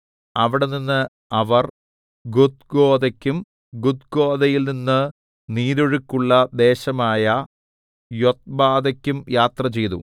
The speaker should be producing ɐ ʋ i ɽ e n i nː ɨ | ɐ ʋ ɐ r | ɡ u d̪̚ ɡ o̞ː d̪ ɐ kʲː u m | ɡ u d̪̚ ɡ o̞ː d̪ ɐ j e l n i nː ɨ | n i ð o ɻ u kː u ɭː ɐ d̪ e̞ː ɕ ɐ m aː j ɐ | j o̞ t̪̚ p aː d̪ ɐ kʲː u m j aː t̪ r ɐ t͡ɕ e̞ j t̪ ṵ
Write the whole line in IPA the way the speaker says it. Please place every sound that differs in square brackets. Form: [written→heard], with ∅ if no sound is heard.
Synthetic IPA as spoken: ɐ ʋ i ɽ e n i nː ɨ | ɐ ʋ ɐ r | ɡ u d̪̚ ɡ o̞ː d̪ ɐ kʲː u m | ɡ u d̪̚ ɡ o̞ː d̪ ɐ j [e→i] l n i nː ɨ | n [i→iː] ð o ɻ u kː u ɭː ɐ d̪ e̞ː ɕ ɐ m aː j ɐ | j o̞ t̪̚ [p→b] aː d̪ ɐ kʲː u m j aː t̪ r ɐ t͡ɕ e̞ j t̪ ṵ